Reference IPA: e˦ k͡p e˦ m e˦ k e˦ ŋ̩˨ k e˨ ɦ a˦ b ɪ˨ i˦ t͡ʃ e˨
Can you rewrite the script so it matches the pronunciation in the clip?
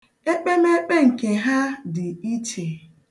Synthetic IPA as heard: e˦ k͡p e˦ m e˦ k͡p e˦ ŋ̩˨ k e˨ ɦ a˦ d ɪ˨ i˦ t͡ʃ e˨